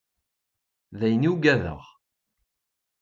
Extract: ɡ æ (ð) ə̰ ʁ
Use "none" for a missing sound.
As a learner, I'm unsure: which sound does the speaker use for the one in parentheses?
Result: ð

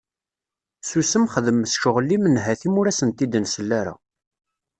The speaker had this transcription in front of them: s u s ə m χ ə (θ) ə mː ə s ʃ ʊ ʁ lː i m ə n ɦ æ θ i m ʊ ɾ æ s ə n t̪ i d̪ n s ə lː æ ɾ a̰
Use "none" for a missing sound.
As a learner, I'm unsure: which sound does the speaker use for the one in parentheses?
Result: ð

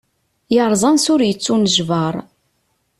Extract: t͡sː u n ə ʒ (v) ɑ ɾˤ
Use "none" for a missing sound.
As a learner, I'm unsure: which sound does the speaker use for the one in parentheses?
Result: v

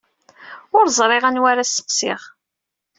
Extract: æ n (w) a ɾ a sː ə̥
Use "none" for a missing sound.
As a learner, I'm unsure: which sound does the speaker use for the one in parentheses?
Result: w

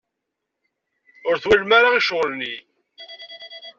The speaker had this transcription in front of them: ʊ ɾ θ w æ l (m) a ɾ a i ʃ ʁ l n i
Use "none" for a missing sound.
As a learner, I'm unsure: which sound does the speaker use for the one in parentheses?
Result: m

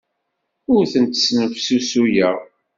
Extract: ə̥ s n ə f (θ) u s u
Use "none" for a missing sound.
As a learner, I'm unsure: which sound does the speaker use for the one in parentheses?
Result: s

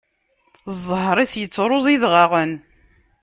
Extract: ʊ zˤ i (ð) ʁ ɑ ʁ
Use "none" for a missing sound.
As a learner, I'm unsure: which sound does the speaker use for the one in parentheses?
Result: ð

